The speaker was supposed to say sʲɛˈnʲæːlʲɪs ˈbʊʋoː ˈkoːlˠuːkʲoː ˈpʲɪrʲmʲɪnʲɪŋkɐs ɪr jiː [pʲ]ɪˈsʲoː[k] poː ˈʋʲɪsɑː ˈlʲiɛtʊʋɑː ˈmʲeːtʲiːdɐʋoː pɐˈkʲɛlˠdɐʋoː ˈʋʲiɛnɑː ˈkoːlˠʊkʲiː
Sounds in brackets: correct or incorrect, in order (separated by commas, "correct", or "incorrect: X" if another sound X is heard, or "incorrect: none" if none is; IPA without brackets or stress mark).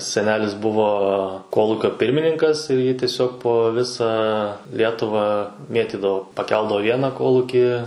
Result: incorrect: tʲ, correct